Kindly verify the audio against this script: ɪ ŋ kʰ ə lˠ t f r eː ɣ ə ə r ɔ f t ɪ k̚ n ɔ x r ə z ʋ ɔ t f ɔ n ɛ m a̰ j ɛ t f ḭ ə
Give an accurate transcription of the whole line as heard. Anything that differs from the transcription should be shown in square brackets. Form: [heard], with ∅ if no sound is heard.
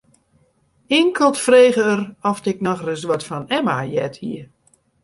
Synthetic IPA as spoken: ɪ ŋ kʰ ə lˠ t f r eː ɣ ə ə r ɔ f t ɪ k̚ n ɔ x r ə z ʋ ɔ t f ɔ n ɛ m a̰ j ɛ t [h] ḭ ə